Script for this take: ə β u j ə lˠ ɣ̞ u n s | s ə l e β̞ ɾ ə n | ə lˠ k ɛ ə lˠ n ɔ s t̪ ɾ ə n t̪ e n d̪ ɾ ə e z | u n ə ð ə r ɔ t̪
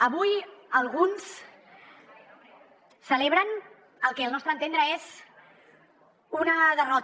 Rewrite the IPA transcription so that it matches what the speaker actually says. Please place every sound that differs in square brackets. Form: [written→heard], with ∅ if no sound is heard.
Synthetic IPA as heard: ə β u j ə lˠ ɣ̞ u n s | s ə l e β̞ ɾ ə n | ə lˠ k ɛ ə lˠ n ɔ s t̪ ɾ ə n t̪ e n d̪ ɾ ə e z | u n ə ð ə r ɔ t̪